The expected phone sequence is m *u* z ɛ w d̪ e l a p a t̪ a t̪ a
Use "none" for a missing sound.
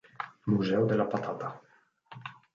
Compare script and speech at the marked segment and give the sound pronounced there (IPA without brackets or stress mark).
u